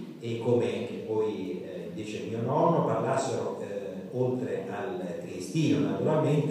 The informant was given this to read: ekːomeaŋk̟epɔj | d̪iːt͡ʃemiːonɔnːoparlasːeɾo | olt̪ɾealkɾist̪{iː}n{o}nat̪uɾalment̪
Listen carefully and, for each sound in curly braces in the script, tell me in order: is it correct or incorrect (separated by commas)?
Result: correct, correct